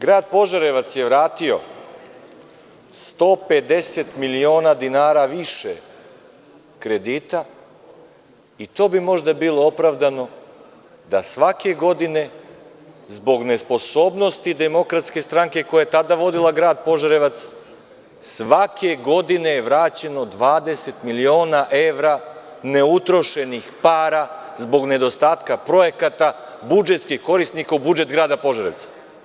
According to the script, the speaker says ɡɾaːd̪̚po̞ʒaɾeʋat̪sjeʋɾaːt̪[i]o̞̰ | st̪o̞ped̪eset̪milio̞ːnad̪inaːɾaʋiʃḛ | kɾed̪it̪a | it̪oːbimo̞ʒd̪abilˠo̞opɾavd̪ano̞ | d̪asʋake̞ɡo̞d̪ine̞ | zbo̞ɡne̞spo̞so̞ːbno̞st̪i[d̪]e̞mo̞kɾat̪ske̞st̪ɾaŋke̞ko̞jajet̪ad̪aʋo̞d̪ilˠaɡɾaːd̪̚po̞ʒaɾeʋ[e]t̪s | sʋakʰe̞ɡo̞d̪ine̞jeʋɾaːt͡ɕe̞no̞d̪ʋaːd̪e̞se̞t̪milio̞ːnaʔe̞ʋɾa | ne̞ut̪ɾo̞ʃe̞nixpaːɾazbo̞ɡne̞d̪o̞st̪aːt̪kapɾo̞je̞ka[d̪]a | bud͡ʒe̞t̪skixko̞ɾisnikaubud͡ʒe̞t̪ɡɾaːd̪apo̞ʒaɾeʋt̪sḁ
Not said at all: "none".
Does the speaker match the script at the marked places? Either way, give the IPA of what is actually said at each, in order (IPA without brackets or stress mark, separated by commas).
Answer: i, d̪, a, t̪